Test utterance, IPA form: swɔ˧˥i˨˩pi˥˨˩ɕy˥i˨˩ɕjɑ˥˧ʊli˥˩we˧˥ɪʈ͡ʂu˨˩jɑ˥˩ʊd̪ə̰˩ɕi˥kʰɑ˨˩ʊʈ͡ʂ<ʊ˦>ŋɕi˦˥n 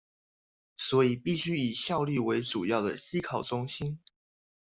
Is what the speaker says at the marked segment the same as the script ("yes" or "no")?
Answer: yes